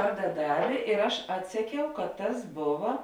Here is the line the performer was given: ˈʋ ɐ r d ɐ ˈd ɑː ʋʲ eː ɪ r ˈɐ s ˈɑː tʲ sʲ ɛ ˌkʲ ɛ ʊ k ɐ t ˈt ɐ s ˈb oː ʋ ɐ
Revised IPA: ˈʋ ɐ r d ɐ ˈd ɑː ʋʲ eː ɪ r ˈɐ ʃ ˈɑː tʲ sʲ ɛ ˌkʲ ɛ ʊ k ɐ t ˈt ɐ s ˈb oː ʋ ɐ